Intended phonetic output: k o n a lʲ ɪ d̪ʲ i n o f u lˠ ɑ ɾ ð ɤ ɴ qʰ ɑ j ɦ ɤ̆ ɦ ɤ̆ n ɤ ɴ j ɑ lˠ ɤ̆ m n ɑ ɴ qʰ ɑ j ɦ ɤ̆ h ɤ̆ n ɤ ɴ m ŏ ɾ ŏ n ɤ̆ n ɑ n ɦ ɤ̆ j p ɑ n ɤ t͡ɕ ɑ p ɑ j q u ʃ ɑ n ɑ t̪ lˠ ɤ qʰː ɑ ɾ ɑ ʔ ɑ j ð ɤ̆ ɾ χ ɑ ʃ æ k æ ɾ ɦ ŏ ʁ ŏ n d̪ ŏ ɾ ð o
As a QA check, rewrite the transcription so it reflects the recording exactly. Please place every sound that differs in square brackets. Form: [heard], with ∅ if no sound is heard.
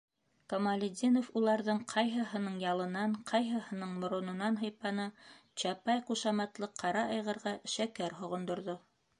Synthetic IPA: k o [m] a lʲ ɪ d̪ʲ i n o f u lˠ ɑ ɾ ð ɤ ɴ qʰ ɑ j ɦ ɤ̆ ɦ ɤ̆ n ɤ ɴ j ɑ lˠ ɤ̆ [∅] n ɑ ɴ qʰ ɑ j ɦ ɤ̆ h ɤ̆ n ɤ ɴ m ŏ ɾ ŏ n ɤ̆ n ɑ n ɦ ɤ̆ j p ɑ n ɤ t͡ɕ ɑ p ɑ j q u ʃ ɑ [m] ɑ t̪ lˠ ɤ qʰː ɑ ɾ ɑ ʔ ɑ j [ʁ] ɤ̆ ɾ [ʁ] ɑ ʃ æ k æ ɾ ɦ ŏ ʁ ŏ n d̪ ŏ ɾ ð o